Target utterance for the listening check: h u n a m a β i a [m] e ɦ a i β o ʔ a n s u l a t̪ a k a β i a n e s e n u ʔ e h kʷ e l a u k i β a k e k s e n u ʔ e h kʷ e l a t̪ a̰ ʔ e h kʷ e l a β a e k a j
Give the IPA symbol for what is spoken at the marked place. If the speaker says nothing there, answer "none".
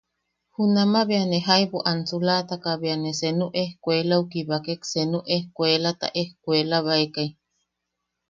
n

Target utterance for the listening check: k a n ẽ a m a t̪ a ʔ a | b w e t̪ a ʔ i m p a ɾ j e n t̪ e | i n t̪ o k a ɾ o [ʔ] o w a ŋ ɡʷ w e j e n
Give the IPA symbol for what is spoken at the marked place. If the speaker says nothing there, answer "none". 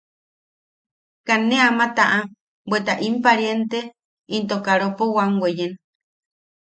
p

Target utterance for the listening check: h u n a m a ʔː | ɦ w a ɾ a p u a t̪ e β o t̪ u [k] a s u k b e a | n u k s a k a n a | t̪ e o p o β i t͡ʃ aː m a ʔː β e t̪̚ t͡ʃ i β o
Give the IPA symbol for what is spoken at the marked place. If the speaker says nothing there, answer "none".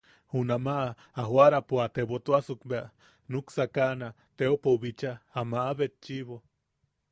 none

